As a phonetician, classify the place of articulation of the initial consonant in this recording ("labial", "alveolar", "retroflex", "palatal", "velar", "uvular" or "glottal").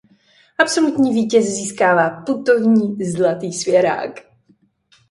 glottal